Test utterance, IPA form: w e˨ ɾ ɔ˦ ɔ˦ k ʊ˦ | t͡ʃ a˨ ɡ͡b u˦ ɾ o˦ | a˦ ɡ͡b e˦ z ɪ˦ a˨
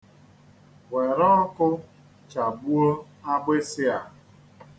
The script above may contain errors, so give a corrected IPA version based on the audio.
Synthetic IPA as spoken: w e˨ ɾ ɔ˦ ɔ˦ k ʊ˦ | t͡ʃ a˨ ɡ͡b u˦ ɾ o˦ | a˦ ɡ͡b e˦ s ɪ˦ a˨